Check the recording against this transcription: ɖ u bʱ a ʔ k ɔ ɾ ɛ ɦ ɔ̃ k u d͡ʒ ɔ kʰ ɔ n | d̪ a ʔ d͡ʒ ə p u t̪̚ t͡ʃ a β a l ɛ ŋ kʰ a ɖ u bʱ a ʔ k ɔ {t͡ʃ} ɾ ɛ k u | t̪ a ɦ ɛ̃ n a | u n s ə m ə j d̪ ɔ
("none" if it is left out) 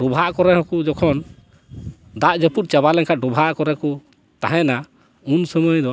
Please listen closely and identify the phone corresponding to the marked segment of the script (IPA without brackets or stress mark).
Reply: none